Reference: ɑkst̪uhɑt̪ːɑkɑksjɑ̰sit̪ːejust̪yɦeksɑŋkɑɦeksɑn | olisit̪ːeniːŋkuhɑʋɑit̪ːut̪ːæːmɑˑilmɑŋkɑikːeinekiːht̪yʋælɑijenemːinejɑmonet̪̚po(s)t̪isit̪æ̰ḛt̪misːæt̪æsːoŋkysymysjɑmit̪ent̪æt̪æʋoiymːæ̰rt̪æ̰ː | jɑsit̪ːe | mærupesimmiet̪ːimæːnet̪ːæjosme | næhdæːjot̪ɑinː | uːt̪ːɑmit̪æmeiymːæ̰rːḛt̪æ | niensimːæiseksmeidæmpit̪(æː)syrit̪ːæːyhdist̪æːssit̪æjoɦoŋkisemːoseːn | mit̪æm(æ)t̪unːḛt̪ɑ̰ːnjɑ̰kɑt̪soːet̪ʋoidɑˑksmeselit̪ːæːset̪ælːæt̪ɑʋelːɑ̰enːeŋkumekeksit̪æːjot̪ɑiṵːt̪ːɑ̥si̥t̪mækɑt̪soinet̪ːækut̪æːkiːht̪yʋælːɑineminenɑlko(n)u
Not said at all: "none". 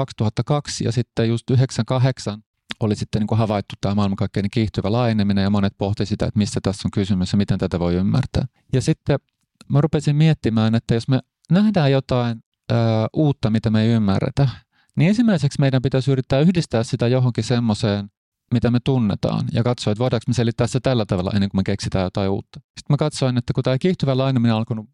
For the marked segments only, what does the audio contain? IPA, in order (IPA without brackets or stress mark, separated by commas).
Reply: h, æ, e, n